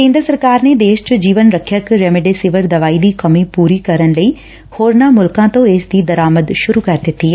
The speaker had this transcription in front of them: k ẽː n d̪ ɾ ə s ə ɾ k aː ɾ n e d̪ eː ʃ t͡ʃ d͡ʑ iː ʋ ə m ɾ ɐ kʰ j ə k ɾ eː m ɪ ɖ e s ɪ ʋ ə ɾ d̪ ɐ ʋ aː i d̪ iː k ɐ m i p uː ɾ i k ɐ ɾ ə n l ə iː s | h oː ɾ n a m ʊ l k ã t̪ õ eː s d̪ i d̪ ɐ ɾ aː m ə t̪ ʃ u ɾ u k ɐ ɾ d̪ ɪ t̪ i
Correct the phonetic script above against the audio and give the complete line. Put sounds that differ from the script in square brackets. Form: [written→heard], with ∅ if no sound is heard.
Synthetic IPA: k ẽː n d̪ ɾ ə s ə ɾ k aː ɾ n e d̪ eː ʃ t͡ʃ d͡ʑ iː ʋ ə [m→n] ɾ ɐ kʰ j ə k ɾ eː m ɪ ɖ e s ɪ ʋ ə ɾ d̪ ɐ ʋ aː i d̪ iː k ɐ m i p uː ɾ i k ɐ ɾ ə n l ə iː [s→∅] | h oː ɾ n a m ʊ l k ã t̪ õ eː s d̪ i d̪ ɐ ɾ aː m ə [t̪→d̪] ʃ [u→ʊ] ɾ u k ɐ ɾ d̪ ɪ t̪ i